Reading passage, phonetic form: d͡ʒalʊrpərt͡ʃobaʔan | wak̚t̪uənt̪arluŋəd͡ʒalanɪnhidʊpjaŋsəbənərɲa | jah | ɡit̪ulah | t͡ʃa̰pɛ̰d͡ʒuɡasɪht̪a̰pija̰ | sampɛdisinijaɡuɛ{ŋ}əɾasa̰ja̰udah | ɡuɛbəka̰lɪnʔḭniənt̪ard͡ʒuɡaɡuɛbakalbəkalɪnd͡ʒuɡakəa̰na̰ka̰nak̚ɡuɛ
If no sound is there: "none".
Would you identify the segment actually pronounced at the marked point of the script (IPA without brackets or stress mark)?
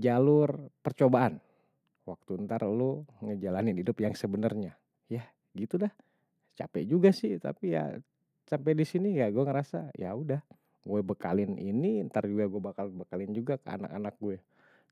ŋ